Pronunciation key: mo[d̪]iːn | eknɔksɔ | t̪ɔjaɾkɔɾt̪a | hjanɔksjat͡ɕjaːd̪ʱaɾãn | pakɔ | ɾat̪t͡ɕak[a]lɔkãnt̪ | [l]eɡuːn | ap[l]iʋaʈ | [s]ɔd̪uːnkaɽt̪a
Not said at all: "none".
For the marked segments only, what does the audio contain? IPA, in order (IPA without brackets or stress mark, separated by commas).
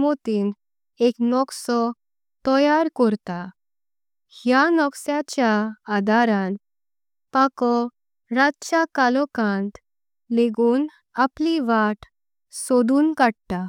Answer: t̪, a, l, l, s